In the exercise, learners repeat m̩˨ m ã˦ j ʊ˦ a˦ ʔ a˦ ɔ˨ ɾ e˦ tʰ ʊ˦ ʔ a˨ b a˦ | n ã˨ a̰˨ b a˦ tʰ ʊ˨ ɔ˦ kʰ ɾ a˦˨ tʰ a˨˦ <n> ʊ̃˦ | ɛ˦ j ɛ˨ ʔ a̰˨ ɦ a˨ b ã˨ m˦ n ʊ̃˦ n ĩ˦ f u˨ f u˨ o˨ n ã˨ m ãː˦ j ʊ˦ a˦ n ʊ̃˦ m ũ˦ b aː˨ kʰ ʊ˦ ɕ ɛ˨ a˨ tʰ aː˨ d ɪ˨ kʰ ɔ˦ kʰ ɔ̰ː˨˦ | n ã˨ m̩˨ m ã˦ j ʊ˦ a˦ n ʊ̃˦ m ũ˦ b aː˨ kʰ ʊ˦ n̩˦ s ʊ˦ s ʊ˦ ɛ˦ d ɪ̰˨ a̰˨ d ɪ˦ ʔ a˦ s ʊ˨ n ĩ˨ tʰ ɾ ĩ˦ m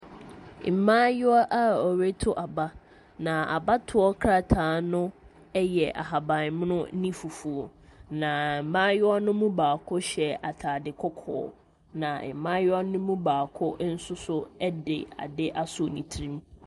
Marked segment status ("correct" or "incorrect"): correct